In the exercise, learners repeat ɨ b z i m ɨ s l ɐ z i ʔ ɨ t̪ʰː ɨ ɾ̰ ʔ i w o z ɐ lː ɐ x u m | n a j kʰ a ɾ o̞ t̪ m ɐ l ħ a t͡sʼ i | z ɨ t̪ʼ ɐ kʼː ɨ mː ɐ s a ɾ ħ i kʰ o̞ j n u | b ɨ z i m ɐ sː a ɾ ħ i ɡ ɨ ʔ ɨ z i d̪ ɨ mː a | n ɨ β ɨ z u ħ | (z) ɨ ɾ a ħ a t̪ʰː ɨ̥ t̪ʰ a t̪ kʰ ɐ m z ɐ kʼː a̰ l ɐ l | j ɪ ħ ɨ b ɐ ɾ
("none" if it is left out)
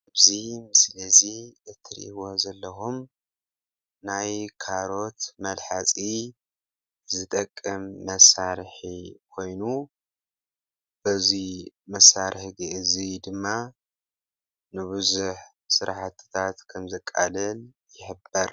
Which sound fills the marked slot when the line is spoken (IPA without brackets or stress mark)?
s